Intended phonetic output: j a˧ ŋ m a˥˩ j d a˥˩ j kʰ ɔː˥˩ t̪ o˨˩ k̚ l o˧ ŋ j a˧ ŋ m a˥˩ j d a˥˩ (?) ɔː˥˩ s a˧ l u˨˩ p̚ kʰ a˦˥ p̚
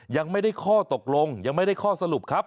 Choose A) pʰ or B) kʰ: B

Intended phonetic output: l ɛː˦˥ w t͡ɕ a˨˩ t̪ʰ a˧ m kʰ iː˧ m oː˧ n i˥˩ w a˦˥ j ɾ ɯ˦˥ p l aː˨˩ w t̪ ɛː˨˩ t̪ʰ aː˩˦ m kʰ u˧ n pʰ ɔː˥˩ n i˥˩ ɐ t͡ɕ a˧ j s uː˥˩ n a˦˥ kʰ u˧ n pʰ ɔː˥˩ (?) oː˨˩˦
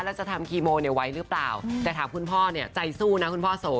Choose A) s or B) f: A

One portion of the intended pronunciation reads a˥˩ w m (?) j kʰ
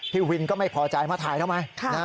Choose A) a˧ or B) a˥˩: A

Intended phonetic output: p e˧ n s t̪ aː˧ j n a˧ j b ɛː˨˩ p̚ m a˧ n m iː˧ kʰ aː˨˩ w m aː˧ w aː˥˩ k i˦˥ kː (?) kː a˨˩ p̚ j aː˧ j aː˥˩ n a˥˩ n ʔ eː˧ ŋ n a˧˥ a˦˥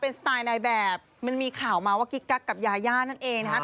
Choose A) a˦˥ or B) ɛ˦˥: A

